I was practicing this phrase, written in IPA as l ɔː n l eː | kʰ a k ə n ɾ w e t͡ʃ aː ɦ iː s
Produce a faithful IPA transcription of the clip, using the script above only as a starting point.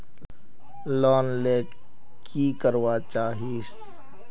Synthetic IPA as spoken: l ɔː n l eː | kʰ i k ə ɾ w a t͡ʃ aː ɦ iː s